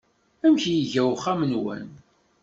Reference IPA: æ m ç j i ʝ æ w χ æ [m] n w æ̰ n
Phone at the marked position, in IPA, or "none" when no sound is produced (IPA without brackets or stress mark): m